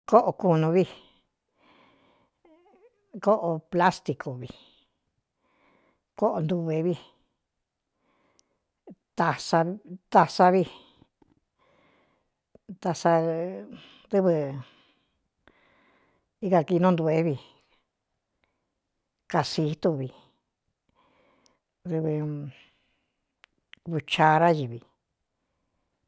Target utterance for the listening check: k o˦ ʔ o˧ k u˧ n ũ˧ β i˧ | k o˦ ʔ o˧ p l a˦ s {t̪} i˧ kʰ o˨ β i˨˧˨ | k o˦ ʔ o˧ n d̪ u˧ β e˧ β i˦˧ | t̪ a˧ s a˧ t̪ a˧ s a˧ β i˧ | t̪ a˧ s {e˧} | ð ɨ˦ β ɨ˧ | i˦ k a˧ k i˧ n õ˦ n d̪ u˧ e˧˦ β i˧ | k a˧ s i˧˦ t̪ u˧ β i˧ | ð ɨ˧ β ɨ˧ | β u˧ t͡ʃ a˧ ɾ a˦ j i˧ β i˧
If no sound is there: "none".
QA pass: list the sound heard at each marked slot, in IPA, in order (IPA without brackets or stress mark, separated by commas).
t̪, a˧